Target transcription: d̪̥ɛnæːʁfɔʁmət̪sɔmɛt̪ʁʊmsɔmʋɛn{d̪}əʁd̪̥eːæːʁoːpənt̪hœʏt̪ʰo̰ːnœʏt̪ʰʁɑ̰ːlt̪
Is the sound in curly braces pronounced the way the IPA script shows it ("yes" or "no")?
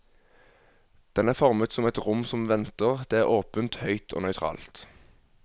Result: no